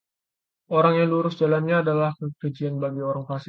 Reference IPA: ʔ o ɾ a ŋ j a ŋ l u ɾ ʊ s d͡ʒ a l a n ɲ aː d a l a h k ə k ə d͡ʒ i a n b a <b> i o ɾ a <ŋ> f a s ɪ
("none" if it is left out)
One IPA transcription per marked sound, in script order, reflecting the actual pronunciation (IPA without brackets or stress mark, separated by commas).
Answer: ɡ, ŋ